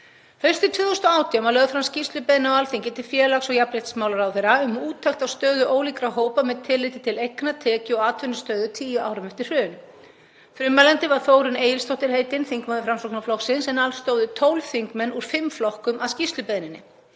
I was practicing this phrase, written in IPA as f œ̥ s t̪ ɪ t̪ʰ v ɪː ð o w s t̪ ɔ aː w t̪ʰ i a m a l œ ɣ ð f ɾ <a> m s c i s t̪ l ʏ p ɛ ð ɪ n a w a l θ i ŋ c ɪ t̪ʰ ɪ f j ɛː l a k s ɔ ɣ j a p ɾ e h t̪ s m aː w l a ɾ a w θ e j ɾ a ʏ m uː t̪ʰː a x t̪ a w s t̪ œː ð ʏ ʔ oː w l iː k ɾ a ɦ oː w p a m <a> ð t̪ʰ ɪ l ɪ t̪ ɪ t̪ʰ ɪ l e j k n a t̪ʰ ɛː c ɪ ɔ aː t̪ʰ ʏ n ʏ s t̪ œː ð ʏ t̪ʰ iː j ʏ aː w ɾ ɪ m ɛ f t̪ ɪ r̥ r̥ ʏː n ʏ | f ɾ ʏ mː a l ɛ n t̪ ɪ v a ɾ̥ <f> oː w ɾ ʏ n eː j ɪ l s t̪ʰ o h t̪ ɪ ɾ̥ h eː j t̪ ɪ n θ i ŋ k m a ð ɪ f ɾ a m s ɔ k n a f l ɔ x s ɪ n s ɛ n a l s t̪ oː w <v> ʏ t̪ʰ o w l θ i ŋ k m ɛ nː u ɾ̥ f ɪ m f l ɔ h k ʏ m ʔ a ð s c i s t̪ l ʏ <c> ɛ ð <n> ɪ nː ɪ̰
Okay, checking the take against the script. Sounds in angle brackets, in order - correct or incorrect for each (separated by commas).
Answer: correct, incorrect, incorrect, incorrect, incorrect, correct